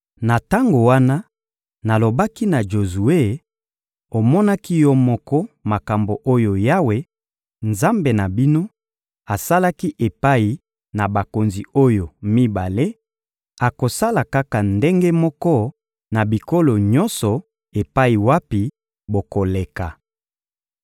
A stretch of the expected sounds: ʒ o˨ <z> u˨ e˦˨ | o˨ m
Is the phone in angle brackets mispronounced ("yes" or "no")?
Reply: no